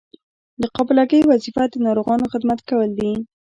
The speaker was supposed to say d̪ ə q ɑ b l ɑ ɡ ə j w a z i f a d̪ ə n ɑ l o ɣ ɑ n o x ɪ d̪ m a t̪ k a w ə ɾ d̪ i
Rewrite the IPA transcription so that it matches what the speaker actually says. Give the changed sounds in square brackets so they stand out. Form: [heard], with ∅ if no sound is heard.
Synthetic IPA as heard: d̪ ə q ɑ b l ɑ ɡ ə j w a z i f a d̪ ə n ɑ [ɾ] o ɣ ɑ n o x ɪ d̪ m a t̪ k a w ə [l] d̪ i